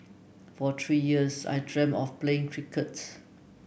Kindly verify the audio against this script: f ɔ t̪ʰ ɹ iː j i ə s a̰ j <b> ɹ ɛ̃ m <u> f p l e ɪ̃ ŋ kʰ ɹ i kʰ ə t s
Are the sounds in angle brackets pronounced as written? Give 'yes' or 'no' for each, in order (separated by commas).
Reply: no, no